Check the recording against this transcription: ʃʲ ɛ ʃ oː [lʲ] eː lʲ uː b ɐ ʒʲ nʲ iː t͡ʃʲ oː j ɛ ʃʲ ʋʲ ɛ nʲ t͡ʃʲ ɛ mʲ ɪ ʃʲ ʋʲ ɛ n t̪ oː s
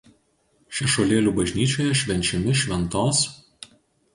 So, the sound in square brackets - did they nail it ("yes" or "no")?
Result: yes